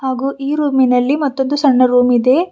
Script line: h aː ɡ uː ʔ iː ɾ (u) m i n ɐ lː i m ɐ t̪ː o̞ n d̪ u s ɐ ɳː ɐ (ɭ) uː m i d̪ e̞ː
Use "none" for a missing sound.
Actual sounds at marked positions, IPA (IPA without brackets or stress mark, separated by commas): uː, ɾ